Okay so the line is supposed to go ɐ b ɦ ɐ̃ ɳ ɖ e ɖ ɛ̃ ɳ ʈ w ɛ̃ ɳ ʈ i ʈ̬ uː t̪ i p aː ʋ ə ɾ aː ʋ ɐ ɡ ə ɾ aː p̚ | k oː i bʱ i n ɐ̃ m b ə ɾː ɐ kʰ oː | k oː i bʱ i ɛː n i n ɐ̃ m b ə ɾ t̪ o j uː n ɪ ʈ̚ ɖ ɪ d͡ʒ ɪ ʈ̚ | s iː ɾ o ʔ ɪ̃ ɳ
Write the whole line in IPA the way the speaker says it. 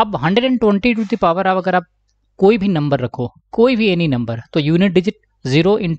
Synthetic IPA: ɐ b ɦ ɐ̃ ɳ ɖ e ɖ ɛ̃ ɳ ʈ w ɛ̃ ɳ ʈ i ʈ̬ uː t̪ i p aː ʋ ə ɾ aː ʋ ɐ ɡ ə ɾ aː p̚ | k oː i bʱ i n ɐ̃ m b ə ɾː ɐ kʰ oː | k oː i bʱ i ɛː n i n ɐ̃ m b ə ɾ t̪ o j uː n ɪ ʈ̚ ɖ ɪ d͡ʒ ɪ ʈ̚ | z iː ɾ o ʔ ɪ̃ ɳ